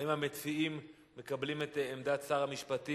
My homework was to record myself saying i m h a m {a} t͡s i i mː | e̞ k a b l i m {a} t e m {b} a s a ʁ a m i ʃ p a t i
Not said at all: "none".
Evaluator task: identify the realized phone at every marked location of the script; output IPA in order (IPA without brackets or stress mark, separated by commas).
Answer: e, e, d